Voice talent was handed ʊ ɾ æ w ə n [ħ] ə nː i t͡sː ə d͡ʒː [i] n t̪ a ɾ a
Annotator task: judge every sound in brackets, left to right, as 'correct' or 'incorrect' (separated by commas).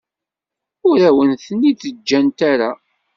incorrect, incorrect